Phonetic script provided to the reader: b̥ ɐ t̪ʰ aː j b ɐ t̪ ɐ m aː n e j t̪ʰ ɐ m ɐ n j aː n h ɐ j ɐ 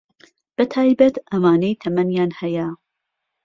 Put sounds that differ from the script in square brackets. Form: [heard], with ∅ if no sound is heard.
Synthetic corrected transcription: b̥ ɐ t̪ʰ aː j b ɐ t̪ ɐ m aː n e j t̪ʰ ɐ m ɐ n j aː n h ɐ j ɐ